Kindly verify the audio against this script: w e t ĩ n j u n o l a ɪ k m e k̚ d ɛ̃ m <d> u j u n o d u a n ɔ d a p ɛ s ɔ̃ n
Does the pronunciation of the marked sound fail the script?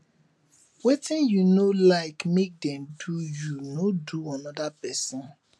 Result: no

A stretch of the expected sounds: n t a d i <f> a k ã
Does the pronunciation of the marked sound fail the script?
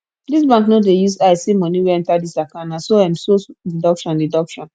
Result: yes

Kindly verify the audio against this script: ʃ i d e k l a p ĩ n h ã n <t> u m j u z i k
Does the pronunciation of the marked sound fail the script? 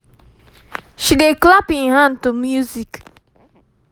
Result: no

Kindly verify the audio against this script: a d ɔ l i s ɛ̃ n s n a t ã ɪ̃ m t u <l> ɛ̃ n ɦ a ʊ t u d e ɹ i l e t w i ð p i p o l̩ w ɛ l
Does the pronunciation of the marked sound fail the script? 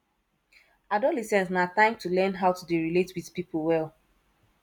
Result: no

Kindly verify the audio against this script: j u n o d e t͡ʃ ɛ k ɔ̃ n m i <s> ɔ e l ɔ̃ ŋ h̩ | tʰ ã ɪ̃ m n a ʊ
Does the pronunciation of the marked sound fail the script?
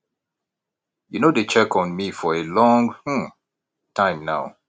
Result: yes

